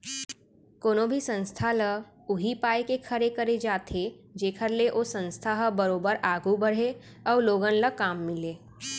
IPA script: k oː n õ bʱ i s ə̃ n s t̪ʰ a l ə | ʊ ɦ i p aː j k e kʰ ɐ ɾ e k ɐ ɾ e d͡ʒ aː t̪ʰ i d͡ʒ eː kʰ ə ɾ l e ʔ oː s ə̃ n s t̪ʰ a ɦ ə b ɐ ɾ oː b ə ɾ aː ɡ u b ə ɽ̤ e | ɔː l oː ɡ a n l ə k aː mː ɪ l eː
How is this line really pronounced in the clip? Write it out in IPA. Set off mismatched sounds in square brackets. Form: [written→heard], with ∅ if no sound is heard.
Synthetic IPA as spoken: k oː n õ bʱ i s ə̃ n s t̪ʰ a l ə | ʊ ɦ i p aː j k e kʰ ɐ ɾ e k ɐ ɾ e d͡ʒ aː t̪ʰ [i→e] d͡ʒ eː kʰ ə ɾ l e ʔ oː s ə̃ n s t̪ʰ a ɦ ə b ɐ ɾ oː b ə ɾ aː ɡ u b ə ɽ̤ e | ɔː l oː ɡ [a→ə] n l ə k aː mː ɪ l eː